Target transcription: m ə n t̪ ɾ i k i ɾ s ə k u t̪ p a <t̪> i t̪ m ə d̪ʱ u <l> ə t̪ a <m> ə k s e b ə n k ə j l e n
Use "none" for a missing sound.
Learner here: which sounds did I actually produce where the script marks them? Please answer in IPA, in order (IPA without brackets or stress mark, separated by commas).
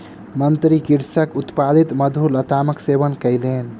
d̪, l, m